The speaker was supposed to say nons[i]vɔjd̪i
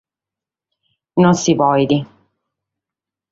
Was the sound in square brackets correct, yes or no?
yes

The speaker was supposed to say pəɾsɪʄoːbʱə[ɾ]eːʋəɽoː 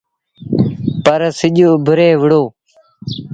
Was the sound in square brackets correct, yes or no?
yes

